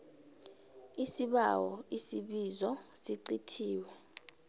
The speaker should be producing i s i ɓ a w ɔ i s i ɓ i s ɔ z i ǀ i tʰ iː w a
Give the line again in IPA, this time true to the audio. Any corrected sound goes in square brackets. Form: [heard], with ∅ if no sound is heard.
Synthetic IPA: i s i ɓ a w ɔ i s i ɓ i [z] ɔ [s] i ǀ i tʰ iː w [ɛ]